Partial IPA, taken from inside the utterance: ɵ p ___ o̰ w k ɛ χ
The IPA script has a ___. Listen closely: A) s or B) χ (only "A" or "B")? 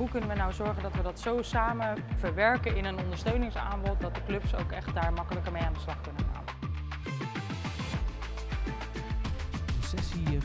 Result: A